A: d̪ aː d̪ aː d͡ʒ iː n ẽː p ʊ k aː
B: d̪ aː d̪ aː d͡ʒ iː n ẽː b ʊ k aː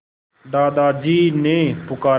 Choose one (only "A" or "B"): A